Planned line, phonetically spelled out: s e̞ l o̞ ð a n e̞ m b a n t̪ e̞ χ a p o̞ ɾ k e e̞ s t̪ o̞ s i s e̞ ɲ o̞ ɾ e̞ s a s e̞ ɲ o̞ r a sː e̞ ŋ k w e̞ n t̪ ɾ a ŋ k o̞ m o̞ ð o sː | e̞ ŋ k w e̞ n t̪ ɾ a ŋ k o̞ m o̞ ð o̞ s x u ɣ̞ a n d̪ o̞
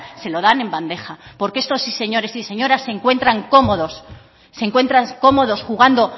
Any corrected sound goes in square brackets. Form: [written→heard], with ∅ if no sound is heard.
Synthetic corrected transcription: s e̞ l o̞ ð a n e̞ m b a n [t̪→d̪] e̞ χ a p o̞ ɾ k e e̞ s t̪ o̞ s i s e̞ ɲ o̞ ɾ e̞ s [a→i] s e̞ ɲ o̞ [r→ɾ] a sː e̞ ŋ k w e̞ n t̪ ɾ a ŋ k o̞ m o̞ ð o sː | e̞ ŋ k w e̞ n t̪ ɾ a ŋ k o̞ m o̞ ð o̞ s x u ɣ̞ a n d̪ o̞